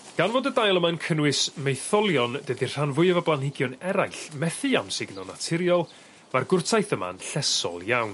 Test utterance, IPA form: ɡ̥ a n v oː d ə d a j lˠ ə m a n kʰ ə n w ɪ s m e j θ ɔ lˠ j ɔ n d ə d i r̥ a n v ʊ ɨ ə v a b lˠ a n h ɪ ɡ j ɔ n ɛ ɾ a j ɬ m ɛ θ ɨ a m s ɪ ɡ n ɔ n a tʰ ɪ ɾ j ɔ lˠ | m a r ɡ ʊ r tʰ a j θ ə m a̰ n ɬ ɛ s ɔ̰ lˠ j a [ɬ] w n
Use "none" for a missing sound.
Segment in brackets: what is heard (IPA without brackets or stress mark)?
none